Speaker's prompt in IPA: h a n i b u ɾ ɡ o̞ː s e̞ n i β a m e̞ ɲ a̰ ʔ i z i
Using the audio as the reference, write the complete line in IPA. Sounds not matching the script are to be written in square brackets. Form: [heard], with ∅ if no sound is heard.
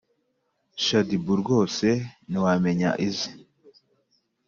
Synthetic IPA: [ʃ] a [d] i b u ɾ ɡ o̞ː s e̞ n i [w] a m e̞ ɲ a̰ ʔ i z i